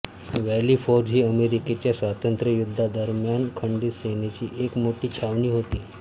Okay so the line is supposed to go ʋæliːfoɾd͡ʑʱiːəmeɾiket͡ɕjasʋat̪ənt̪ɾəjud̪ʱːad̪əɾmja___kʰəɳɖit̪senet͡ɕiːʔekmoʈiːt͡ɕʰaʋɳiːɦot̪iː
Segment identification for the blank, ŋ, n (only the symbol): n